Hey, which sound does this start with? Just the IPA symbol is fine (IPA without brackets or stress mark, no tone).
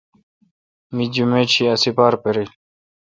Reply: m